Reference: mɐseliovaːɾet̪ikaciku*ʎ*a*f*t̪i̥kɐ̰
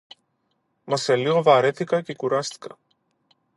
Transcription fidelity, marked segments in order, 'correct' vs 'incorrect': incorrect, incorrect

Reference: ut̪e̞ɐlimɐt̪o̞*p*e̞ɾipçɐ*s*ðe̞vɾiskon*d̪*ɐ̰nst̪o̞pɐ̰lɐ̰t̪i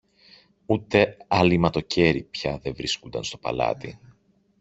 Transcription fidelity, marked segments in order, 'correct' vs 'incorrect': incorrect, incorrect, correct

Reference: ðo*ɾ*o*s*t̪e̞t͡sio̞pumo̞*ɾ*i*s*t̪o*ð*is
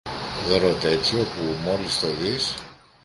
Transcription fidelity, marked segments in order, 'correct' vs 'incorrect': correct, incorrect, incorrect, correct, correct

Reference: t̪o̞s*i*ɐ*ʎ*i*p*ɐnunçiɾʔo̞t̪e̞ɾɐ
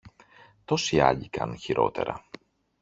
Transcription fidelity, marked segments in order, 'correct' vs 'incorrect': correct, correct, incorrect

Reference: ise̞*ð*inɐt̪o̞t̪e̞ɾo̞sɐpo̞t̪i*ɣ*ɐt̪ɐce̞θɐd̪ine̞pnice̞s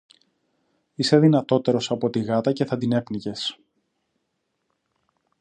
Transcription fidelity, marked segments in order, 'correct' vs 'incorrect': correct, correct

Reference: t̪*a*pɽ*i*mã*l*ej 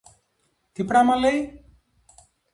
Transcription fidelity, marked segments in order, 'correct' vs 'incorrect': incorrect, incorrect, correct

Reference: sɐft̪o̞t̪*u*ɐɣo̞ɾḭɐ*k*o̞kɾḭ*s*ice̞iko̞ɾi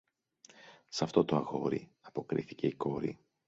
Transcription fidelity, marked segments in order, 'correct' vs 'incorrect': incorrect, incorrect, incorrect

